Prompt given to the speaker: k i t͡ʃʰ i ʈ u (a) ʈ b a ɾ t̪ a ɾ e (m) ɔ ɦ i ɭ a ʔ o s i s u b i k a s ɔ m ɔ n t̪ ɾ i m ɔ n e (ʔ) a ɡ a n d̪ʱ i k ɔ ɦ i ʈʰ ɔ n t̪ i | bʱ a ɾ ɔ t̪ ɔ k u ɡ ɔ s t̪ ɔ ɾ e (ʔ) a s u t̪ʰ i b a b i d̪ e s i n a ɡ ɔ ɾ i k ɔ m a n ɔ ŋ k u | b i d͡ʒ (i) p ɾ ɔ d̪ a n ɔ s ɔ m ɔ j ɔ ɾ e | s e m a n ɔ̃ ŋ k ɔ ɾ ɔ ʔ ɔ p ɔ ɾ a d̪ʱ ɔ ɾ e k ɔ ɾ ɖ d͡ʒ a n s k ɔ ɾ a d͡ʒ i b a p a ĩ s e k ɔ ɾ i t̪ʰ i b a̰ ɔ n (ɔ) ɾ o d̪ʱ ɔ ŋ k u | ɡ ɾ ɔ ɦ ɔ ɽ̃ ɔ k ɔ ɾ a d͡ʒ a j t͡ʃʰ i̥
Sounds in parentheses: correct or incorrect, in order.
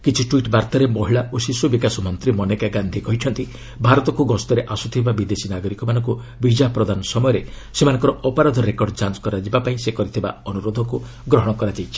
incorrect, correct, incorrect, correct, incorrect, incorrect

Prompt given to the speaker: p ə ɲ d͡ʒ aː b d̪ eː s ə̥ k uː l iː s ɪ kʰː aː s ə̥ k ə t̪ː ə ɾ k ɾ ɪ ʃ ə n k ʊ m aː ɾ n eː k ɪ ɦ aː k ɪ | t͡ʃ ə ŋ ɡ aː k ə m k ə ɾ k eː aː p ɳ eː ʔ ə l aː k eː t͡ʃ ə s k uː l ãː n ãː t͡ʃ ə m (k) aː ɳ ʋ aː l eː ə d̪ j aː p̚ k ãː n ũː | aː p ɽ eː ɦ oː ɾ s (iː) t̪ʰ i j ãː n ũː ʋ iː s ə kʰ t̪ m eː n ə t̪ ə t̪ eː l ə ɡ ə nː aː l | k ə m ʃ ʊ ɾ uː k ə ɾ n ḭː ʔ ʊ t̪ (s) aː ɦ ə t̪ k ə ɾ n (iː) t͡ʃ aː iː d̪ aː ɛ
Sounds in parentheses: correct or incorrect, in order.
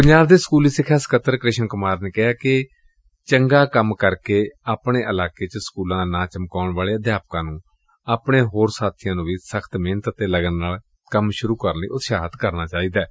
correct, incorrect, incorrect, incorrect

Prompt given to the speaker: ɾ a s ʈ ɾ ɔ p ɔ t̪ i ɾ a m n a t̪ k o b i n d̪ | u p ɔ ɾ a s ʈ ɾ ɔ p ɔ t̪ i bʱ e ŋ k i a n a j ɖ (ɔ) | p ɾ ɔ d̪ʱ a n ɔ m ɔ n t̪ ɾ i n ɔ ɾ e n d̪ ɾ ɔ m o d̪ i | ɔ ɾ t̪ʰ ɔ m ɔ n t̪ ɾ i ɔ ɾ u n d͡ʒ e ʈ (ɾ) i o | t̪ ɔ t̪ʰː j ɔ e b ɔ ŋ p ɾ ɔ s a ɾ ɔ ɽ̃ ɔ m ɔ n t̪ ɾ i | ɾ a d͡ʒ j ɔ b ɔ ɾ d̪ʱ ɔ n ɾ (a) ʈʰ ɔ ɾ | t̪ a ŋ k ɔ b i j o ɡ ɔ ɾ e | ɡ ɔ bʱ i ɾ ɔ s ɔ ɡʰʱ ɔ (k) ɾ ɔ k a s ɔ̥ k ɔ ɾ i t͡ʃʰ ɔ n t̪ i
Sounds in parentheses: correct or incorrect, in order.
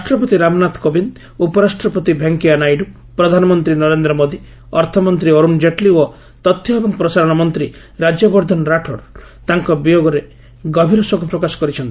incorrect, incorrect, correct, incorrect

